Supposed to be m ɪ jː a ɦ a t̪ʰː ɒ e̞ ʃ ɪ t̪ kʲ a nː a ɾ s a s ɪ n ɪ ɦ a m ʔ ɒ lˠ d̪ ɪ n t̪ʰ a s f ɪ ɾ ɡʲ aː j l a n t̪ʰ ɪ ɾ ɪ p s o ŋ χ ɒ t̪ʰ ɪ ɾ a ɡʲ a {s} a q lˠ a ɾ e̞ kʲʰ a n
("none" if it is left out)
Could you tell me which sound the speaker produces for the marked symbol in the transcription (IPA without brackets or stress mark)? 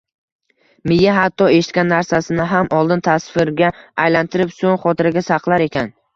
s